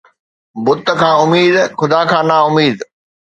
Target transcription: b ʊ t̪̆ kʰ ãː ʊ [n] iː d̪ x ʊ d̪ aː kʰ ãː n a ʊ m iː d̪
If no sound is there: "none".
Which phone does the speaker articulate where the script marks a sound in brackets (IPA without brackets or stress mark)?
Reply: m